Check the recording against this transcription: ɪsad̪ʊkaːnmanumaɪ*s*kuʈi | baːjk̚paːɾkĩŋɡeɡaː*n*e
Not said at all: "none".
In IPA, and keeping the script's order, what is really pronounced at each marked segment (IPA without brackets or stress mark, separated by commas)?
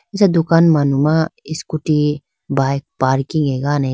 s, n